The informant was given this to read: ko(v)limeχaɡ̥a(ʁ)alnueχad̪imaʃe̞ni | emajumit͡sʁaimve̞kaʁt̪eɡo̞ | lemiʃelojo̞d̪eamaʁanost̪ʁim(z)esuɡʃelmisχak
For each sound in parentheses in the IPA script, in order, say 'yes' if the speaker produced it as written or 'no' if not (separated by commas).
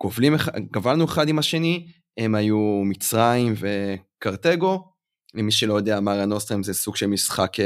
yes, no, yes